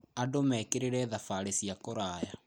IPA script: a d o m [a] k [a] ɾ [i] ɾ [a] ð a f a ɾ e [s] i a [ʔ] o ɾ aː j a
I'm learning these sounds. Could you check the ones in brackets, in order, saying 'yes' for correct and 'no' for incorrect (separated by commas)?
no, no, no, no, yes, no